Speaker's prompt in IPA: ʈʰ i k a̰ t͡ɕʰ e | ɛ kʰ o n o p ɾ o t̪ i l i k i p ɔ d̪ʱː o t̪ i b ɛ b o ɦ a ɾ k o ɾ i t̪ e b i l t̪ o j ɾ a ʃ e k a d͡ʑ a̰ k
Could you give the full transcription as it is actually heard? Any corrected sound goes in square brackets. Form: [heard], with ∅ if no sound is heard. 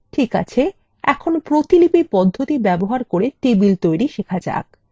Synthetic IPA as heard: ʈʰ i k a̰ t͡ɕʰ e | ɛ kʰ o n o p ɾ o t̪ i l i [p] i p ɔ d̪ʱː o t̪ i b ɛ b o ɦ a ɾ k o ɾ [e] t̪ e b i l t̪ o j ɾ [i] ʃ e [kʰ] a d͡ʑ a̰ k